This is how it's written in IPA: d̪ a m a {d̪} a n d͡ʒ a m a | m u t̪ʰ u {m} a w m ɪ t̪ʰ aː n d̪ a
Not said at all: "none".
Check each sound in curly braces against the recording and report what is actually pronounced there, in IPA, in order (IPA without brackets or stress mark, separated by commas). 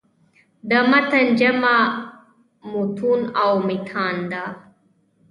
t̪, n